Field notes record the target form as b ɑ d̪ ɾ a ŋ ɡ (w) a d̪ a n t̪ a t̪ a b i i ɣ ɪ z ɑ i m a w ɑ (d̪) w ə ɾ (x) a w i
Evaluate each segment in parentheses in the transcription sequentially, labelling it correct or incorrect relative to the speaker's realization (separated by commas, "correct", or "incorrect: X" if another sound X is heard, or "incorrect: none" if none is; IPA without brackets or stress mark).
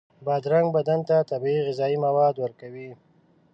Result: incorrect: b, correct, incorrect: k